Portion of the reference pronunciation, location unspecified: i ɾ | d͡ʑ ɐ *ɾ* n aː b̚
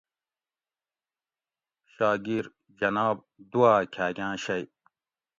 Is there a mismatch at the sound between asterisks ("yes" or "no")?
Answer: yes